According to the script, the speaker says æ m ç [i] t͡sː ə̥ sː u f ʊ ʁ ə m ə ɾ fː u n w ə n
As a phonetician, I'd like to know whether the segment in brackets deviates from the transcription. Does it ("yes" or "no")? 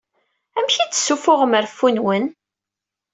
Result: no